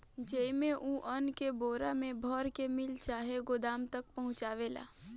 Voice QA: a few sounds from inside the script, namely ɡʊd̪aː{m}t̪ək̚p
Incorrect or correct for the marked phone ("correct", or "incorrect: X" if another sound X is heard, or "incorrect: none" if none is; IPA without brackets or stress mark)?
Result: correct